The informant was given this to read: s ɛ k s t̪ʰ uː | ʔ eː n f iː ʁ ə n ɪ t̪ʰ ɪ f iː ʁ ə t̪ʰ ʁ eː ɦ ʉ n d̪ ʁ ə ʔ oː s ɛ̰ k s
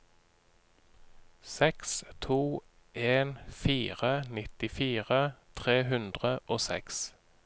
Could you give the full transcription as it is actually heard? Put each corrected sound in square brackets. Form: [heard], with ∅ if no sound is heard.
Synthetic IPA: s ɛ k s t̪ʰ uː | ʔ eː n f iː ʁ ə n ɪ [t̪] ɪ f iː ʁ ə t̪ʰ ʁ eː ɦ ʉ n d̪ ʁ ə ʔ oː s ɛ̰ k s